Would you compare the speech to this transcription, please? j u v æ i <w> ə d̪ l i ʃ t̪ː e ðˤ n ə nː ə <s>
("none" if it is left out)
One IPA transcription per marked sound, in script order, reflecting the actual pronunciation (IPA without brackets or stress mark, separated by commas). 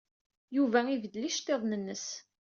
v, s